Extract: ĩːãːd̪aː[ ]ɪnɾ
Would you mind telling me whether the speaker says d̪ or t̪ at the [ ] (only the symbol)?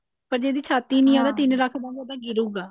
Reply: t̪